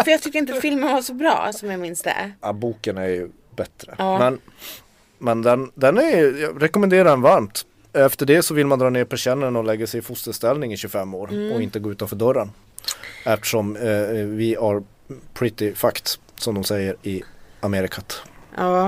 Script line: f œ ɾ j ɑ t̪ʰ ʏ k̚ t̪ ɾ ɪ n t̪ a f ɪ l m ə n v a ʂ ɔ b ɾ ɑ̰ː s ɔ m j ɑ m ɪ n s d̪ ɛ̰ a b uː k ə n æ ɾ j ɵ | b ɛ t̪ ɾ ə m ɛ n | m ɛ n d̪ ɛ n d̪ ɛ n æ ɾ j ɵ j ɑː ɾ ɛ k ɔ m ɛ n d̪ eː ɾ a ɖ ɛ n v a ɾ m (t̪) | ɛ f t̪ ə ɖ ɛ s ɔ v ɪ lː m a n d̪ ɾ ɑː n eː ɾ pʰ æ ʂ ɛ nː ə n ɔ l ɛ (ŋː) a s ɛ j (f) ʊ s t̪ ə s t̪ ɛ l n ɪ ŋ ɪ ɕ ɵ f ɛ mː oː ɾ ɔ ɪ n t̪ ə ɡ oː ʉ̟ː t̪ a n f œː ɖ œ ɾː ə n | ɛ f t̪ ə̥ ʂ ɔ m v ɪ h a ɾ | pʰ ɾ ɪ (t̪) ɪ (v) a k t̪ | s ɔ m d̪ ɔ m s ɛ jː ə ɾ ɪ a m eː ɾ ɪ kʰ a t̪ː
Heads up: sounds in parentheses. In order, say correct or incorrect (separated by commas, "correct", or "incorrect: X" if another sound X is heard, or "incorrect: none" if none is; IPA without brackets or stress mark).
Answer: correct, incorrect: ɡː, correct, correct, incorrect: f